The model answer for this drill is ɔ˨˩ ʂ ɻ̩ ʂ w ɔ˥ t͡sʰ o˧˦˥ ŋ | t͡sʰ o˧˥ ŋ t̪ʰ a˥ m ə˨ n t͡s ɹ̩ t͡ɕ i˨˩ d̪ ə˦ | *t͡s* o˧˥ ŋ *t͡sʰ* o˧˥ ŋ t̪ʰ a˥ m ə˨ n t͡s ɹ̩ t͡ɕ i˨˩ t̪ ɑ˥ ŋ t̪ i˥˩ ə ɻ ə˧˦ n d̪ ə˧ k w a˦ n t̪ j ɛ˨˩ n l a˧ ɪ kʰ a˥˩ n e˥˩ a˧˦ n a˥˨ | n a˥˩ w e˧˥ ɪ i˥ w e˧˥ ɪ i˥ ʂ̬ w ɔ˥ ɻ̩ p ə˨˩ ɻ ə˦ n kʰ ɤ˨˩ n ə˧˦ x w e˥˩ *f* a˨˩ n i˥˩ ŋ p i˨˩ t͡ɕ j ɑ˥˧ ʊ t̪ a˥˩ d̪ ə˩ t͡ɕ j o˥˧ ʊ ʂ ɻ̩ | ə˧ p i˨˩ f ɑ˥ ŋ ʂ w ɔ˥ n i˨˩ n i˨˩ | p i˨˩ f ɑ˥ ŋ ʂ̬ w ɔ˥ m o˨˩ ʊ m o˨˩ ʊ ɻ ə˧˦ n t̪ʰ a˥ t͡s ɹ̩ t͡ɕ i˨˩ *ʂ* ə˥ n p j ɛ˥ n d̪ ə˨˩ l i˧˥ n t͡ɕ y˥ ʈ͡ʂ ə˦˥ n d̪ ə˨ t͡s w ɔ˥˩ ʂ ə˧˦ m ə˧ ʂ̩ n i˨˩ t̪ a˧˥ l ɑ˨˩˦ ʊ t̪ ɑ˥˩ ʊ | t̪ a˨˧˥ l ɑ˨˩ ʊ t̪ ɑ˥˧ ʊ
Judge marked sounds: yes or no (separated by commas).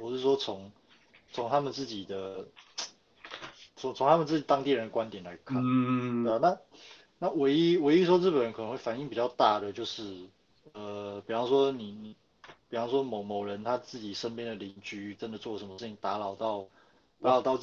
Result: no, yes, yes, yes